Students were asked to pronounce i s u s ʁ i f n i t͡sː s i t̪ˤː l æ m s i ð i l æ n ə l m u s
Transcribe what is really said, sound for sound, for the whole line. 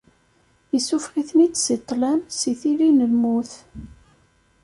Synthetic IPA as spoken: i s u f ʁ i θ n i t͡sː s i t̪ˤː l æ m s i θ i l i n ə l m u θ